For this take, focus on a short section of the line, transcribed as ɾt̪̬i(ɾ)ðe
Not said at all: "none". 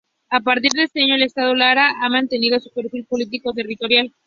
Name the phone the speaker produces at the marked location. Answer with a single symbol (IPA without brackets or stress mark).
ɾ